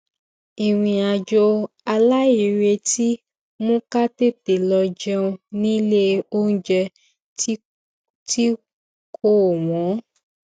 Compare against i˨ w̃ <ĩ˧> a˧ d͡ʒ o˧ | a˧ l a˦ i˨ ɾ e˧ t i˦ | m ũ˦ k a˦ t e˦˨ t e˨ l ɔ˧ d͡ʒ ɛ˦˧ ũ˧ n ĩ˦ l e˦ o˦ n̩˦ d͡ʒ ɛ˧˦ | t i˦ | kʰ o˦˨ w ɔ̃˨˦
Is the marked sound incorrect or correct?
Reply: correct